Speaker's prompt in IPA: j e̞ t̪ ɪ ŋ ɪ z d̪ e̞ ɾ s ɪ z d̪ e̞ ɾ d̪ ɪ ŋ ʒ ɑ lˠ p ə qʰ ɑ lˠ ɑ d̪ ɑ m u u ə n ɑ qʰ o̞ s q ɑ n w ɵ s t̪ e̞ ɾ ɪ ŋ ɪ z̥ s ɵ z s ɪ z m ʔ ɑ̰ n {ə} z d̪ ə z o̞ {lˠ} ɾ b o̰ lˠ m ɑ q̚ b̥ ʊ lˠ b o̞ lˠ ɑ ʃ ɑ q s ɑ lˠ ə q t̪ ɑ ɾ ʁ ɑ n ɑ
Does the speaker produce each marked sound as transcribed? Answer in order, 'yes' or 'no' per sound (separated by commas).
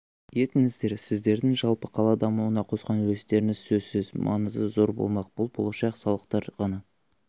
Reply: yes, no